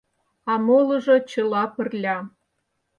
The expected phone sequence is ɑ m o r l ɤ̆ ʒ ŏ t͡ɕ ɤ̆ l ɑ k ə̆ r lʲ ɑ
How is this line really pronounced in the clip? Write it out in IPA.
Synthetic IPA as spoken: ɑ m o l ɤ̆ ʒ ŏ t͡ɕ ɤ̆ l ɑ p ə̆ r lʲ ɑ